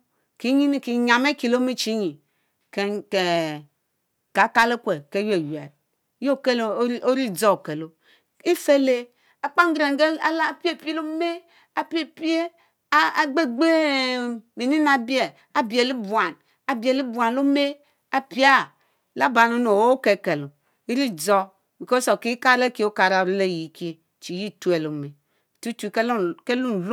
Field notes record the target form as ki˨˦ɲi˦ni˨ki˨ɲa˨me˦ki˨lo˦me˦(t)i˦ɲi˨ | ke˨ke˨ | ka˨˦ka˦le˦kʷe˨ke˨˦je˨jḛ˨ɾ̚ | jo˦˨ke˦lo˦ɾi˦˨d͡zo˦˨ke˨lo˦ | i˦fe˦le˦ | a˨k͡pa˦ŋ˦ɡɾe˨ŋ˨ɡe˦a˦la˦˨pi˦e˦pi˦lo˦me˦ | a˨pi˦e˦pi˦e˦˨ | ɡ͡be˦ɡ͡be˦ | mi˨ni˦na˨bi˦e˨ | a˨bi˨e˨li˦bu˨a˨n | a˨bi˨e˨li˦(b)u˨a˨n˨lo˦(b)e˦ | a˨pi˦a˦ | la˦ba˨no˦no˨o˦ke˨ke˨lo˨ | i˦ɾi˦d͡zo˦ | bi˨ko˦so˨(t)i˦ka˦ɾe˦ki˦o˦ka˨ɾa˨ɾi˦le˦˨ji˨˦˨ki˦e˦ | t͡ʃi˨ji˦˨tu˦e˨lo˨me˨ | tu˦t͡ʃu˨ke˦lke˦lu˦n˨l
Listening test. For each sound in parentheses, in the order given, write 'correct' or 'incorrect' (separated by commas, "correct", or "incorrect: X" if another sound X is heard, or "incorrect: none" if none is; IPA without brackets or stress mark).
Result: incorrect: t͡ʃ, correct, incorrect: m, incorrect: k